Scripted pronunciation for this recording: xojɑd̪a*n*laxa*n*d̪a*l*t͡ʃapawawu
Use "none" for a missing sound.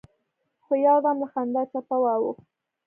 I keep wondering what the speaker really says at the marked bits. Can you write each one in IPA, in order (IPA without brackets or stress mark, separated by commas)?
m, n, none